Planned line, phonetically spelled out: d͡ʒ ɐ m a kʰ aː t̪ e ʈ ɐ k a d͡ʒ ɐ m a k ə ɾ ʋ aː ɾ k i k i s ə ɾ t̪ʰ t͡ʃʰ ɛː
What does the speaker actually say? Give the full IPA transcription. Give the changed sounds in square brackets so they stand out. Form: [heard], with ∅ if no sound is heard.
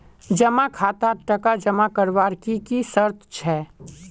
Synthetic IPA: d͡ʒ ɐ m a kʰ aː t̪ [a] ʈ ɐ k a d͡ʒ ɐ m a k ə ɾ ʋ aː ɾ k i k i s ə ɾ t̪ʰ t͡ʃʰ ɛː